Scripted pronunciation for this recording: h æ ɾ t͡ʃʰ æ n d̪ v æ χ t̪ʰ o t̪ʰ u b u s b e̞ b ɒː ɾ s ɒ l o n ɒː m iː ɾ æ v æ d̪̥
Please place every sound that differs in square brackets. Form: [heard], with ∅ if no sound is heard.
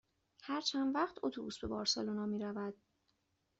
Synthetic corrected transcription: h æ ɾ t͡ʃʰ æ n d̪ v æ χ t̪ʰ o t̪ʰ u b u s b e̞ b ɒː ɾ s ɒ l o n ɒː m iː ɾ æ v æ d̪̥

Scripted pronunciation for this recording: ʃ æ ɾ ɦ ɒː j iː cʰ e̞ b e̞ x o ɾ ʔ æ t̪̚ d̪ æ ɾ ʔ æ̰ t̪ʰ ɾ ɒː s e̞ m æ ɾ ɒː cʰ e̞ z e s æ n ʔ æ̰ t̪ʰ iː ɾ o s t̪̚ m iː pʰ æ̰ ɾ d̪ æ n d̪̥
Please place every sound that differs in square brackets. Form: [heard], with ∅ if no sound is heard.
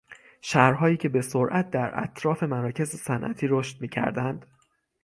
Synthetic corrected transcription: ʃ æ ɾ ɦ ɒː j iː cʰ e̞ b e̞ [s] o ɾ ʔ æ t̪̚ d̪ æ ɾ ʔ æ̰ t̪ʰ ɾ ɒː [f] e̞ m æ ɾ ɒː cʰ e̞ z e s æ n ʔ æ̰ t̪ʰ iː ɾ o [ʃ] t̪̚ m iː [cʰ] æ̰ ɾ d̪ æ n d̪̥

